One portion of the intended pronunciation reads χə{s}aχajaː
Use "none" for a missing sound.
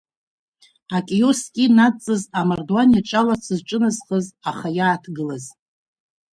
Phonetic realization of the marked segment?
z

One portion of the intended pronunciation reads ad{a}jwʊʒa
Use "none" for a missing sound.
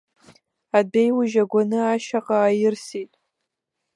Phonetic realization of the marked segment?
e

